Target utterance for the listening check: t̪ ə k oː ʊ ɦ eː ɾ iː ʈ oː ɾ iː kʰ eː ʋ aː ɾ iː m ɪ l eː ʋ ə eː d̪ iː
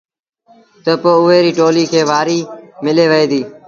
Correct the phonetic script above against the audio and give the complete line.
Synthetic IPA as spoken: t̪ ə p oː ʊ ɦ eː ɾ iː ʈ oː l iː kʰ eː ʋ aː ɾ iː m ɪ l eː ʋ ə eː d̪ iː